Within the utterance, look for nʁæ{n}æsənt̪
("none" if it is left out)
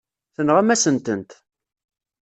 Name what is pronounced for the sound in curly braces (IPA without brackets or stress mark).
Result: m